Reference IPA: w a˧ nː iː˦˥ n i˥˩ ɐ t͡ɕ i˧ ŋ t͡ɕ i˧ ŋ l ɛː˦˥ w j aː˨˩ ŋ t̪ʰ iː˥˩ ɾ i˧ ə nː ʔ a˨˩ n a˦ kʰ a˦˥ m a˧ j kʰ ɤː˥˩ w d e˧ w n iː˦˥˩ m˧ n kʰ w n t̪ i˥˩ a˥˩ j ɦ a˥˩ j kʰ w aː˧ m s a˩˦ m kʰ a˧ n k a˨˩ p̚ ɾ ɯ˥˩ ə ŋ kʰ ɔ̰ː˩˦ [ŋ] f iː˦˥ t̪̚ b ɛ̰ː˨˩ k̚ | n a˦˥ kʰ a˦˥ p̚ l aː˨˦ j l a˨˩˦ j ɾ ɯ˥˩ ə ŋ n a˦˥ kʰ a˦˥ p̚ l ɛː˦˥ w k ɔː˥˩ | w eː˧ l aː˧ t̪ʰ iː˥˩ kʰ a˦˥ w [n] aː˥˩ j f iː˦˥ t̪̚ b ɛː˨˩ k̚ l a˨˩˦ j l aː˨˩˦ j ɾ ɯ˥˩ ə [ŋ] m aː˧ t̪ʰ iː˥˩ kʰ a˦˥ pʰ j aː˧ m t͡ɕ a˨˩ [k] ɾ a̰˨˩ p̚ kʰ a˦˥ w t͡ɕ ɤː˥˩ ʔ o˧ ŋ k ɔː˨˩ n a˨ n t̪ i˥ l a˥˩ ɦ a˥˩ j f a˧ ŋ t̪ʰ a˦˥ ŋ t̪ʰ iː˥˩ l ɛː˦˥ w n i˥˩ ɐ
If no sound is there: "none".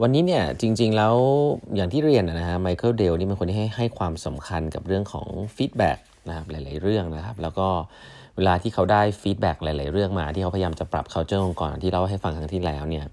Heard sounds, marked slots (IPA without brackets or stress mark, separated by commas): ŋ, d, ŋ, p